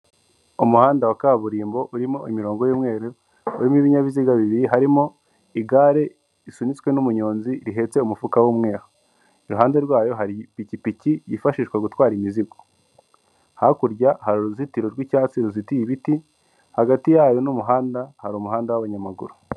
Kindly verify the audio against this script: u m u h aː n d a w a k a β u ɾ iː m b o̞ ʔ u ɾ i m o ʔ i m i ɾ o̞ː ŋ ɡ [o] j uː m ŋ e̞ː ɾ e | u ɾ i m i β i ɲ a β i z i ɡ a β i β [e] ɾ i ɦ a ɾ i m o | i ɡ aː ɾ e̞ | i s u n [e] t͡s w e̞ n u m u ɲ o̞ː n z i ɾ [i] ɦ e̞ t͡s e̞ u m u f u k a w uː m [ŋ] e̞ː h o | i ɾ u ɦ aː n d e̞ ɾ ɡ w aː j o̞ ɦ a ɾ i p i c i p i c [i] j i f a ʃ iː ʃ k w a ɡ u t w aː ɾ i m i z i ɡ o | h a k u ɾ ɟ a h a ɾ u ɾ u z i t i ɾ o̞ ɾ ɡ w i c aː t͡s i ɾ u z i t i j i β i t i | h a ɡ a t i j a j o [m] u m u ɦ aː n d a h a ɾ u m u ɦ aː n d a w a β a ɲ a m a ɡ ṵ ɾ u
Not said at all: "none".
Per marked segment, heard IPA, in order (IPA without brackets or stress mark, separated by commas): o, i, i, i, ŋ, i, n